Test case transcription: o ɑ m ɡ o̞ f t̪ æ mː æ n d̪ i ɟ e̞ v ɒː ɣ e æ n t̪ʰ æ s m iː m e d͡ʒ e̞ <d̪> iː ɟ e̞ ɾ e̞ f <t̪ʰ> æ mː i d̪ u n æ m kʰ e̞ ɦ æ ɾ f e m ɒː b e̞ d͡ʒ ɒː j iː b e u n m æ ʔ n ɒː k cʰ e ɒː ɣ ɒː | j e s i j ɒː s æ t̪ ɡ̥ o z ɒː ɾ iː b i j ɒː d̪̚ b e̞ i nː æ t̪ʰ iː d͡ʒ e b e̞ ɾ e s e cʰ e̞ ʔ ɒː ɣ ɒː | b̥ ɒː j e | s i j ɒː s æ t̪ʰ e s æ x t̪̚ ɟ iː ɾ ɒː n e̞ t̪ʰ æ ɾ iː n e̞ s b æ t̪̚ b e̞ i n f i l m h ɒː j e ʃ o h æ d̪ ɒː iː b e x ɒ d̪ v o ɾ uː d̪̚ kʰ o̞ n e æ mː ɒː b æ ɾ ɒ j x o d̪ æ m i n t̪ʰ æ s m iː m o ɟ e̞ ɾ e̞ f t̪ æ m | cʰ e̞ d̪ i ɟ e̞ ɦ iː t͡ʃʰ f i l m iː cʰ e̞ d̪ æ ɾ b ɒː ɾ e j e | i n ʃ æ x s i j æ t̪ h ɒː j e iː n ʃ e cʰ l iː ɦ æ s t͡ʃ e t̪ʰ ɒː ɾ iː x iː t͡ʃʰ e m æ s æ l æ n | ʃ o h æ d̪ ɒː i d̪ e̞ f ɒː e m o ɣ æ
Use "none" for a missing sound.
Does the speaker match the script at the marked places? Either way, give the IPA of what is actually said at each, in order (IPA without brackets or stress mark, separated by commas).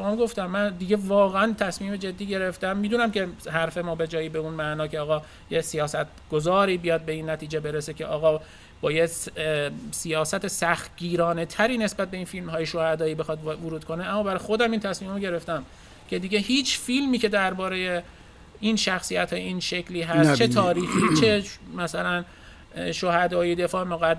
d̪ː, t̪